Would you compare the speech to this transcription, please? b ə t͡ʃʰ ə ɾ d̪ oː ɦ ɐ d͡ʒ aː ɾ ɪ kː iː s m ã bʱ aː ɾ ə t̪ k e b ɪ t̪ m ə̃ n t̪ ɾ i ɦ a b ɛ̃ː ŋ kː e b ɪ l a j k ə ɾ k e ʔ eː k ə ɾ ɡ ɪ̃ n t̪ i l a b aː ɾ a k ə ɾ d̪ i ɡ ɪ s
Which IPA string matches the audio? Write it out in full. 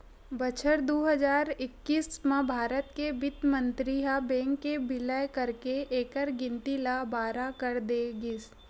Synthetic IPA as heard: b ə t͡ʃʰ ə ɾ d̪ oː ɦ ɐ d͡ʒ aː ɾ ɪ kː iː s m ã bʱ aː ɾ ə t̪ k e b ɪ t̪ m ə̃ n t̪ ɾ i ɦ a b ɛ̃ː ŋ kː e b ɪ l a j k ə ɾ k e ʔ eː k ə ɾ ɡ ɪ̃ n t̪ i l a b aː ɾ a k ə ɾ d̪ e ɡ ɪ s